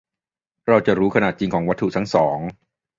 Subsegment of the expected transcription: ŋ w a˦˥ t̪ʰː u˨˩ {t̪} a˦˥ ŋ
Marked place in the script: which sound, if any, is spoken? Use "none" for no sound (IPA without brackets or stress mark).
t̪ʰ